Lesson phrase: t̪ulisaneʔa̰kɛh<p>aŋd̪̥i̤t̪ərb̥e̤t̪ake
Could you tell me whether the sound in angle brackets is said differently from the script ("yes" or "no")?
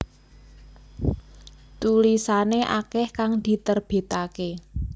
yes